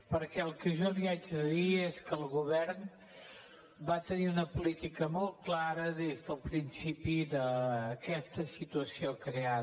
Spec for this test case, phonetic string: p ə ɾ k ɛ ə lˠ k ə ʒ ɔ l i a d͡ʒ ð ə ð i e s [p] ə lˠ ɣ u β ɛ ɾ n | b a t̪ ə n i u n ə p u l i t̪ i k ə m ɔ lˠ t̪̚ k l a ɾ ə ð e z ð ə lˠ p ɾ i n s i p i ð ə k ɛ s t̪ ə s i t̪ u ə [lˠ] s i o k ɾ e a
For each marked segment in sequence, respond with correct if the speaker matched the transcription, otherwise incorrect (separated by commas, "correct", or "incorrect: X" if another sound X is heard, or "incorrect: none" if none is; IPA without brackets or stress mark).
incorrect: k, incorrect: none